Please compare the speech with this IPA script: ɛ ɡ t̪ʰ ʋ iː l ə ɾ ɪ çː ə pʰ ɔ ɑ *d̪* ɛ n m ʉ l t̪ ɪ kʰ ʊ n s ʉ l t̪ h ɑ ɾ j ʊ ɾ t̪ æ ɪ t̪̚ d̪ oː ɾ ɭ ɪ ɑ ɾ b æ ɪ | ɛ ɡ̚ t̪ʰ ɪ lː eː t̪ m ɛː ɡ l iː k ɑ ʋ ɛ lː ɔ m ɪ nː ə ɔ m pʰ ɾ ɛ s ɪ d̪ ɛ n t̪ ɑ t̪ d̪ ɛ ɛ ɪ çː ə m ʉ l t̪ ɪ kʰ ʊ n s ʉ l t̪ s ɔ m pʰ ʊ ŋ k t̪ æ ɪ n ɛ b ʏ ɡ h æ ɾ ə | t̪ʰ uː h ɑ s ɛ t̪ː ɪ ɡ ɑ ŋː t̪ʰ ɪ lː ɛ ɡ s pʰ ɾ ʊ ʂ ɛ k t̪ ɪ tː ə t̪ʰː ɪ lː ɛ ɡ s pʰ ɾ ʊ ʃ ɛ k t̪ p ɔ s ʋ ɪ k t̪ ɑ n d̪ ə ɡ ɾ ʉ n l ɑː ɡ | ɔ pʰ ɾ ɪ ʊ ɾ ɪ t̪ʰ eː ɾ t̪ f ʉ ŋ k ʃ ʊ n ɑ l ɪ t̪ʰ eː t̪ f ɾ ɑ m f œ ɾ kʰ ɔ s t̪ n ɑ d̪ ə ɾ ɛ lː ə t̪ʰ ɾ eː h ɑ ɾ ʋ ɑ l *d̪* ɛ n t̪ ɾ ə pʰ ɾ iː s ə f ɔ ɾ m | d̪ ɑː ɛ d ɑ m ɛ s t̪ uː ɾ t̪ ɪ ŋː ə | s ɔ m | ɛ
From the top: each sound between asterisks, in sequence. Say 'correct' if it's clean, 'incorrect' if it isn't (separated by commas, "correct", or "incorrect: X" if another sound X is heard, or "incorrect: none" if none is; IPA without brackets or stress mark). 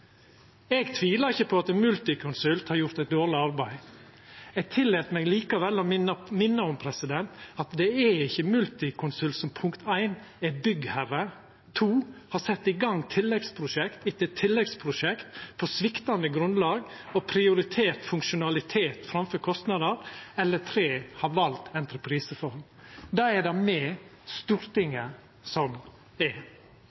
incorrect: t̪, incorrect: t̪